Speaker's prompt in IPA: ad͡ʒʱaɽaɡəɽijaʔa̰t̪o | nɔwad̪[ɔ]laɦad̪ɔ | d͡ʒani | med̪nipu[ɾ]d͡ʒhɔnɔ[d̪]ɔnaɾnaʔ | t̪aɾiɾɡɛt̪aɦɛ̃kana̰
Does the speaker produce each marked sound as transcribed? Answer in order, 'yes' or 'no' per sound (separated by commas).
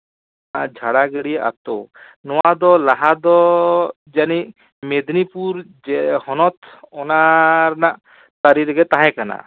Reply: yes, yes, no